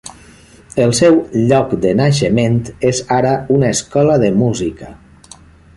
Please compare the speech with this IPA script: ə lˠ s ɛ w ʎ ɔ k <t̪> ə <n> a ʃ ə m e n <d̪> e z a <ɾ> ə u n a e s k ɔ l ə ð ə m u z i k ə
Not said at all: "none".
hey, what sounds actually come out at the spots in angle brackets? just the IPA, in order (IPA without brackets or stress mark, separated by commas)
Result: d̪, n, t̪, ɾ